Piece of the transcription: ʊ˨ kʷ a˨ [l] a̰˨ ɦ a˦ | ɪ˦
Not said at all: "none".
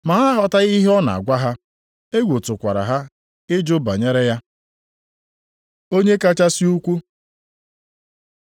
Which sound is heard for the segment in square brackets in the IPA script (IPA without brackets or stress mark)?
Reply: ɾ